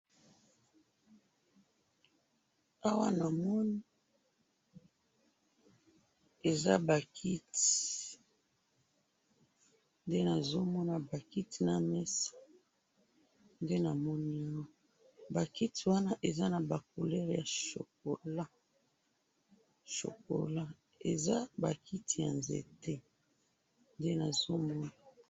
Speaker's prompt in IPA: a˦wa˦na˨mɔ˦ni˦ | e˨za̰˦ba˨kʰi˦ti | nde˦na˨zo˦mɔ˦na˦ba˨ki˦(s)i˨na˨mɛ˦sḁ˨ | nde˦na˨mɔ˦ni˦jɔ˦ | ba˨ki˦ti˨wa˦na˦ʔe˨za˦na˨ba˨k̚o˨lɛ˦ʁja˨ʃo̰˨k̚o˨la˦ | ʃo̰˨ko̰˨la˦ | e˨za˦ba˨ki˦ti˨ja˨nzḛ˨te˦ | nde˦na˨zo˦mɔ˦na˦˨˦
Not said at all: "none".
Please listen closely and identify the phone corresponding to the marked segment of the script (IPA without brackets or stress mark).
t